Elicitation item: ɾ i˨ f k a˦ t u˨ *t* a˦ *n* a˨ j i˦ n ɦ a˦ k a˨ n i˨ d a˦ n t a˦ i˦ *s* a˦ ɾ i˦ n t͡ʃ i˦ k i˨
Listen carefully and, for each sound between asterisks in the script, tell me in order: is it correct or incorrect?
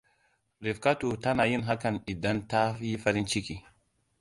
correct, correct, incorrect: f

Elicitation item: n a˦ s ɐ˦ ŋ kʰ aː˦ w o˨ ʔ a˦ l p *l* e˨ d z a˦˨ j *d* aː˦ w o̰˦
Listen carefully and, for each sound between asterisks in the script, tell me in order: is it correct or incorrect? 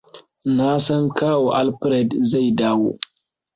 incorrect: ɾ, correct

